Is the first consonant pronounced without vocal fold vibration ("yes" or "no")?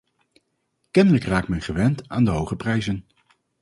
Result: yes